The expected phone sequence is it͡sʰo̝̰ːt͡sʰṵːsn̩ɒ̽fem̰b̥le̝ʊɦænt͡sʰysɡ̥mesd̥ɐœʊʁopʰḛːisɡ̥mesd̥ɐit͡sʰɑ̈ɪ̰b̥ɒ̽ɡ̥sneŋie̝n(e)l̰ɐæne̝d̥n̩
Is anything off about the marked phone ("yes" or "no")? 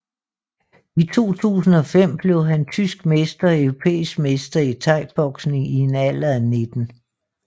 yes